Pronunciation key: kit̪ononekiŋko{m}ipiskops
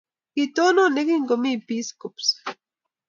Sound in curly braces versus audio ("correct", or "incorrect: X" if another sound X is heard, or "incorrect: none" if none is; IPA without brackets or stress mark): correct